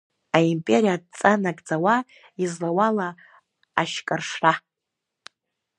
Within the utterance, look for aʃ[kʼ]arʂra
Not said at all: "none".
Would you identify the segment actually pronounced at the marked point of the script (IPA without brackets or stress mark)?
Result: kʼ